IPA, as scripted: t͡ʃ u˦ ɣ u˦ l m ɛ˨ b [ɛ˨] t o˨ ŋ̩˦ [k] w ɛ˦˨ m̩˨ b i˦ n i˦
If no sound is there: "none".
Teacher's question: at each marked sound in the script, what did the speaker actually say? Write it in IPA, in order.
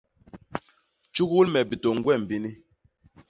i˨, ɡ

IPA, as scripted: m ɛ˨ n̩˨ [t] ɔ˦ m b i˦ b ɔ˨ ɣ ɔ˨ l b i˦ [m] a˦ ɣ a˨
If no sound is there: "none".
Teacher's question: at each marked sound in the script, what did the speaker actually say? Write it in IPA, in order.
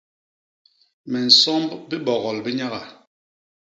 s, ɲ

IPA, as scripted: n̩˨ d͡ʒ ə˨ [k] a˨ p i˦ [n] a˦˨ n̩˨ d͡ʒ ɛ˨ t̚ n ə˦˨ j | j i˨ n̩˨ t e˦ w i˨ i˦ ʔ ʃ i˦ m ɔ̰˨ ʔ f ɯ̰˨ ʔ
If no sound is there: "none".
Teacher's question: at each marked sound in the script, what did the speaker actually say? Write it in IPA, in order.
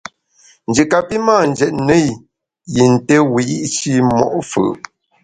k, m

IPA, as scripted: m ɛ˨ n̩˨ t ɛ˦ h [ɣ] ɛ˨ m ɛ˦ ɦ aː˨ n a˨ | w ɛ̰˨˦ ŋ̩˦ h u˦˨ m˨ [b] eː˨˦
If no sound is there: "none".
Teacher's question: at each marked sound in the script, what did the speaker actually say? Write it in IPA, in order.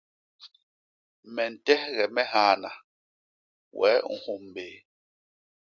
ɣ, b

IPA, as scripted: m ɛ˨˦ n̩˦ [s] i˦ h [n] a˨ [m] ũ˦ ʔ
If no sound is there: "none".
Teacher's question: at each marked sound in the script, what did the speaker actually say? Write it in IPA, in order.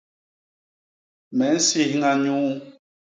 s, ŋ, ɲ

